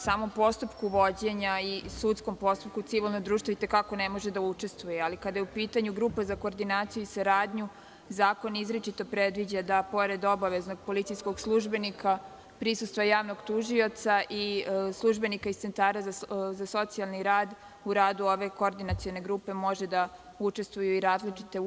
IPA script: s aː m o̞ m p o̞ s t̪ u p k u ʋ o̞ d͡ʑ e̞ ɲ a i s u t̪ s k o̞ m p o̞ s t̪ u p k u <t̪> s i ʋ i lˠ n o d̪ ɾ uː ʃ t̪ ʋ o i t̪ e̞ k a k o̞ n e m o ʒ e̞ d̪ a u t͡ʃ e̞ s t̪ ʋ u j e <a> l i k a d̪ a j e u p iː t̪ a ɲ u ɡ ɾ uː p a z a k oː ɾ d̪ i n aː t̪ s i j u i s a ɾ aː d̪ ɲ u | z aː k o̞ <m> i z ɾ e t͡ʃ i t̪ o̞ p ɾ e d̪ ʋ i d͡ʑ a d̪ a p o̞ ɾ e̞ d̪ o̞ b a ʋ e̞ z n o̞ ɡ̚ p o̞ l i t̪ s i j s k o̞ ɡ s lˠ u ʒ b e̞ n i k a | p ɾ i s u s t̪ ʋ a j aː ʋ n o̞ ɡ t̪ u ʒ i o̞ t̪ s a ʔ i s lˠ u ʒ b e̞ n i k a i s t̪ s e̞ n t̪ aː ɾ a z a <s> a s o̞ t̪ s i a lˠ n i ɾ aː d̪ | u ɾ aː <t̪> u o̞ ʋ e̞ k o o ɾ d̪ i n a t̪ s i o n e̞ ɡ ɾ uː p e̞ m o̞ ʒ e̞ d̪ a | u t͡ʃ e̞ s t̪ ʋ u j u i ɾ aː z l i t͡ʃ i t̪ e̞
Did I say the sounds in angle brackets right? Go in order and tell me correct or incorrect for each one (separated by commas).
correct, correct, incorrect, incorrect, incorrect